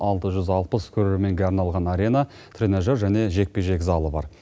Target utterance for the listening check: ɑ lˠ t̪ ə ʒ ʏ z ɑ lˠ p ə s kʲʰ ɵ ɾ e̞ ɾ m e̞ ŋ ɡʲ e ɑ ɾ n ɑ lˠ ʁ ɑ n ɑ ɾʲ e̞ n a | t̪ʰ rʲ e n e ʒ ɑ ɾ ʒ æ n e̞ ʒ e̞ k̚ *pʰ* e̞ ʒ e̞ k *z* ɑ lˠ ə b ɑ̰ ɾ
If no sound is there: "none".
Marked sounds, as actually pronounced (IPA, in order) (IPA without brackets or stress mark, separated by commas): p, z